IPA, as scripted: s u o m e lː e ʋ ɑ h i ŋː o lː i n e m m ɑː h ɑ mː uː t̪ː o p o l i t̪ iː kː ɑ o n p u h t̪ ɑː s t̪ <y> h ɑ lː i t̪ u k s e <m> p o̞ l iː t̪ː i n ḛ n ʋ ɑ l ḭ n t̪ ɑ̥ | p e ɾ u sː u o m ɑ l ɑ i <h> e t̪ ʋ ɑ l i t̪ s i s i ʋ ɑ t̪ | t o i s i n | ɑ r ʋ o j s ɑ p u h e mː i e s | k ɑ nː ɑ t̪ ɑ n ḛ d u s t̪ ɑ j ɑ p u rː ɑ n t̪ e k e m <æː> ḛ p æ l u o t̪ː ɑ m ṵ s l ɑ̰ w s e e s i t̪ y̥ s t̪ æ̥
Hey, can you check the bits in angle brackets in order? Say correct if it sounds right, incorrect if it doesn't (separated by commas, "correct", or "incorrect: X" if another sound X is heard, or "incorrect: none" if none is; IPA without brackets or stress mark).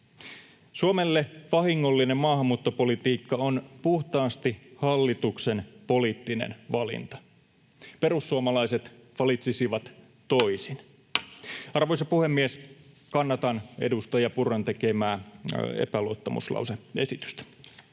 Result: incorrect: i, incorrect: n, incorrect: s, correct